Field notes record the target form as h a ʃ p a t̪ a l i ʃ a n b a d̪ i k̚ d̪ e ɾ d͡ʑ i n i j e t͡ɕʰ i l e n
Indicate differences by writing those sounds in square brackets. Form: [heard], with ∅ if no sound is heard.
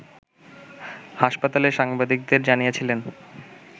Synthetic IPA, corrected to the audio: h a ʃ p a t̪ a l [e] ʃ a [ŋ] b a d̪ i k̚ d̪ e ɾ d͡ʑ [a] n i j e t͡ɕʰ i l e n